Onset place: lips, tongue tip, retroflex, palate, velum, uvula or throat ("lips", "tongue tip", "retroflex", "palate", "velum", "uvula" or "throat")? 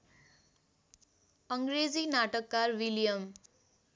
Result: velum